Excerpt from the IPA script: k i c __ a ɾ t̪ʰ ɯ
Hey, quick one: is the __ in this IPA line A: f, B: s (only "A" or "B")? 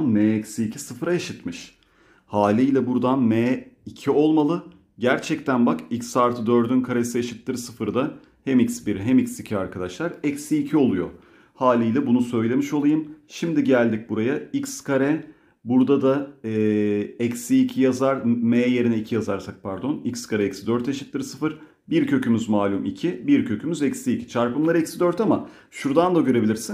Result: B